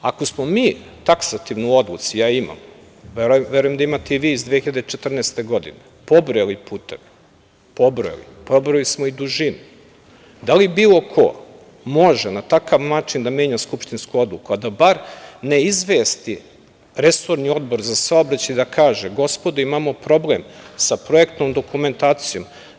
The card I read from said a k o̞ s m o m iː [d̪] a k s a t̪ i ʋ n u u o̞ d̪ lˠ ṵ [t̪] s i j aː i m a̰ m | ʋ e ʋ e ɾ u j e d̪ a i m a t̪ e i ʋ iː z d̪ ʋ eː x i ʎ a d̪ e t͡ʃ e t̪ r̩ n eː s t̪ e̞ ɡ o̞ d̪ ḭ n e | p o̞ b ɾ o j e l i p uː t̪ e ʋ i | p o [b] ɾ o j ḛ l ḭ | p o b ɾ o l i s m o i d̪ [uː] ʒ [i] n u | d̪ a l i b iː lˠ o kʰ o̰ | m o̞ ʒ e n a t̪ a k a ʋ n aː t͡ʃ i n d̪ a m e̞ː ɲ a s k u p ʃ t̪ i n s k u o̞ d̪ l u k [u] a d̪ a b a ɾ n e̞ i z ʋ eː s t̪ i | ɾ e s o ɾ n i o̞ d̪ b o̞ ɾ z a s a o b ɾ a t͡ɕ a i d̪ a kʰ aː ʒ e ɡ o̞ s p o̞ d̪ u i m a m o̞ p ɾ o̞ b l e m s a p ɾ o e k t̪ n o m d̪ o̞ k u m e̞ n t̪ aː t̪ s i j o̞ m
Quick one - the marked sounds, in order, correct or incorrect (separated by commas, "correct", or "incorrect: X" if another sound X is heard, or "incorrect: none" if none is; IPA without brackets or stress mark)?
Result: incorrect: t̪, correct, correct, incorrect: u, correct, correct